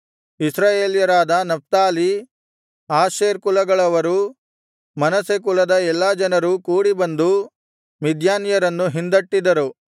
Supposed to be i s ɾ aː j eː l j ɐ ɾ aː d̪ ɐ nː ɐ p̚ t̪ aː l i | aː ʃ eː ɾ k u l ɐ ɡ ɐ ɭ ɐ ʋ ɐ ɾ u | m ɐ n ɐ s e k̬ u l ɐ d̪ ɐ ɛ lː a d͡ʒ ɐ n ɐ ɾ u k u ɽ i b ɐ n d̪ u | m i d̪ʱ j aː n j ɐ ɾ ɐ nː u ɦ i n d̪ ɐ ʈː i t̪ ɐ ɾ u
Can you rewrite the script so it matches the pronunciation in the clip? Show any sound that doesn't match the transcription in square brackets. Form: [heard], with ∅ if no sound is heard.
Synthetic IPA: i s ɾ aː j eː l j ɐ ɾ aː d̪ ɐ [n] ɐ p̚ t̪ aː l i | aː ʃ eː ɾ k u l ɐ ɡ ɐ ɭ ɐ ʋ ɐ ɾ u | m ɐ n ɐ s e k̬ u l ɐ d̪ ɐ ɛ lː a d͡ʒ ɐ n ɐ ɾ u k [uː] ɽ i b ɐ n d̪ u | m i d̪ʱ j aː n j ɐ ɾ ɐ nː u ɦ i n d̪ ɐ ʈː i [d̪] ɐ ɾ u